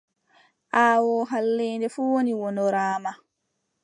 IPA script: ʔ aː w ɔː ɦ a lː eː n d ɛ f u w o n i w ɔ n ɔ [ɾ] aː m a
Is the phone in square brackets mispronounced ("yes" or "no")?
no